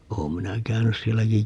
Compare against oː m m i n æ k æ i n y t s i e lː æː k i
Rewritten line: oː m m i n æ k æ y n y s s i e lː æ k i